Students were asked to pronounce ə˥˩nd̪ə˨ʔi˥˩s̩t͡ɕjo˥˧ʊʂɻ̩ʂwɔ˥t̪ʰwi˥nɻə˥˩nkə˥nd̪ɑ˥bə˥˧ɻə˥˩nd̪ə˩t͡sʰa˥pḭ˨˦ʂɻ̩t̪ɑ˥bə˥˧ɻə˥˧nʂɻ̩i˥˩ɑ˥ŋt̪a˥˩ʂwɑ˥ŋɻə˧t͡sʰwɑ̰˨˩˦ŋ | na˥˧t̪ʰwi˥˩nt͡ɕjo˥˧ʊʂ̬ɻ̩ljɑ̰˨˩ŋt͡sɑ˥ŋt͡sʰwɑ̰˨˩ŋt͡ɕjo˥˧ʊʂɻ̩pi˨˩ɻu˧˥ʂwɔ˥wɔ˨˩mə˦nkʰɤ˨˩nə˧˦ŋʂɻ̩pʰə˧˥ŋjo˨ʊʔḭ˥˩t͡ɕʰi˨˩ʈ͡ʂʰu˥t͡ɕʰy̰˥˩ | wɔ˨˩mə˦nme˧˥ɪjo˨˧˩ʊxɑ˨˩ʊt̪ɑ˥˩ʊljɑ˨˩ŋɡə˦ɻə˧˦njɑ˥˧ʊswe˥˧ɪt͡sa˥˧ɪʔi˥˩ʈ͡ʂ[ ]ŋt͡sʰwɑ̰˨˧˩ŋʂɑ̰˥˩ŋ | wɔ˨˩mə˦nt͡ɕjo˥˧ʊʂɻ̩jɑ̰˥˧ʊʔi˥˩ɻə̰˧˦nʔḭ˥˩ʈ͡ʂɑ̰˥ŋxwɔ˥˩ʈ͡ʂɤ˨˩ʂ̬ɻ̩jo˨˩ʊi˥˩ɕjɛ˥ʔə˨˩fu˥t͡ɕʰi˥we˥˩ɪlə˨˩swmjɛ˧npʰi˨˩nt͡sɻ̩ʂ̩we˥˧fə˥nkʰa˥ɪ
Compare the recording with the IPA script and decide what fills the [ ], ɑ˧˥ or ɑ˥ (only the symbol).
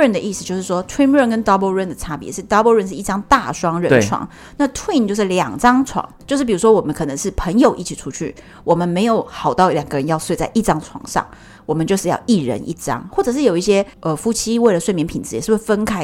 ɑ˥